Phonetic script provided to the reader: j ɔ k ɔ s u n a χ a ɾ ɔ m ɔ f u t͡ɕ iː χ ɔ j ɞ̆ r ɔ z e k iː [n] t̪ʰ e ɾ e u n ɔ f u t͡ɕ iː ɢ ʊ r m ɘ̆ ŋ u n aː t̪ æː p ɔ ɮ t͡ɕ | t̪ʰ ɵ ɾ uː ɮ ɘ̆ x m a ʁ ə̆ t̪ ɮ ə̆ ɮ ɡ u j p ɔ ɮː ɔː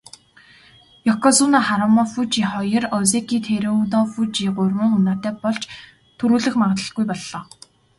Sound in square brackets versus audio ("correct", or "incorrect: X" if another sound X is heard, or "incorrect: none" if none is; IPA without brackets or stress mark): incorrect: none